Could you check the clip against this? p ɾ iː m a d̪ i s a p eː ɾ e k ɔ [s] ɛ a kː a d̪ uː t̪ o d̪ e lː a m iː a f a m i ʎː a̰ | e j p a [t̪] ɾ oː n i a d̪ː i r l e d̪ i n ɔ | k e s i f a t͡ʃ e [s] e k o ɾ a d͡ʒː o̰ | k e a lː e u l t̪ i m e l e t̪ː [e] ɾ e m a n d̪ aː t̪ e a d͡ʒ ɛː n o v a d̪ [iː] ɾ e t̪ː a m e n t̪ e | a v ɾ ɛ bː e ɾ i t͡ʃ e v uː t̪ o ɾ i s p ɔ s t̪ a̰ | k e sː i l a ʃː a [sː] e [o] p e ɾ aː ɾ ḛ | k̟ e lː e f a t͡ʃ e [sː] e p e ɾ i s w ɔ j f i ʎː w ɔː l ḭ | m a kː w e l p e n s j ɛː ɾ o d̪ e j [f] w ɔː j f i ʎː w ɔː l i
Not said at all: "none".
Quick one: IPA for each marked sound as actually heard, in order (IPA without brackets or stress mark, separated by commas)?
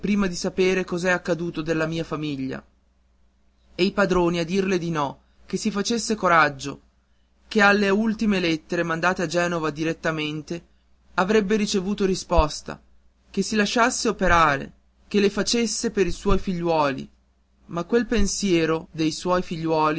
z, d̪, sː, e, i, sː, o, sː, s